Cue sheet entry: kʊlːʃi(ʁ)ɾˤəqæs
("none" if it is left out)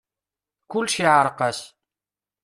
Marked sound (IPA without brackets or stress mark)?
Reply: ʕ